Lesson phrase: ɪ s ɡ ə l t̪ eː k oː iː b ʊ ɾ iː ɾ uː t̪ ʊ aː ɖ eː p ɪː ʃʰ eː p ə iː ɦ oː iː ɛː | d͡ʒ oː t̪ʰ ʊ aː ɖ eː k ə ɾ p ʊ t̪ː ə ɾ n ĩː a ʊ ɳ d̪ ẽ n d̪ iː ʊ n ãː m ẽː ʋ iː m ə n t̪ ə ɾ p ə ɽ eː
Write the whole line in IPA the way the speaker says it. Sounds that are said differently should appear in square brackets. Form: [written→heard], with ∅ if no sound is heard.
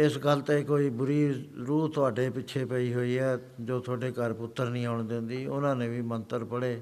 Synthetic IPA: ɪ s ɡ ə l t̪ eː k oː iː b ʊ ɾ iː ɾ uː t̪ ʊ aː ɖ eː p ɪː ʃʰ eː p ə iː ɦ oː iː ɛː | d͡ʒ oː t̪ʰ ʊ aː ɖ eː k ə ɾ p ʊ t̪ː ə ɾ n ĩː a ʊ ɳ d̪ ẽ n d̪ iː ʊ n ãː [m→n] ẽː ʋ iː m ə n t̪ ə ɾ p ə ɽ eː